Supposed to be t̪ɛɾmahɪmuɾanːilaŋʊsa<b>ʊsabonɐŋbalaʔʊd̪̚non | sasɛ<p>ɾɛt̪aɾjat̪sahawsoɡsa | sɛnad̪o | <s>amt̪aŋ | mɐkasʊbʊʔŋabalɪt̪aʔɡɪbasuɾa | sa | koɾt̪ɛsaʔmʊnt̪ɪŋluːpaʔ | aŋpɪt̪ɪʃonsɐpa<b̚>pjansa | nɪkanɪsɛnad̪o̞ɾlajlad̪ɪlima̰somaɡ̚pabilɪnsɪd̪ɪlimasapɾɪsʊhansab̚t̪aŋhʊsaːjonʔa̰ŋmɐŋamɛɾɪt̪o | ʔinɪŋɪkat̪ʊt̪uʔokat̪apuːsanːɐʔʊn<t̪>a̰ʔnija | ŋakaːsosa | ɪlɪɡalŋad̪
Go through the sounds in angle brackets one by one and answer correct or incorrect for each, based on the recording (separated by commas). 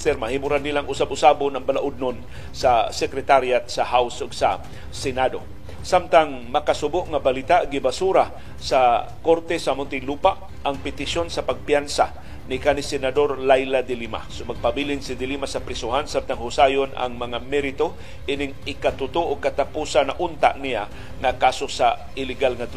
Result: correct, incorrect, correct, incorrect, correct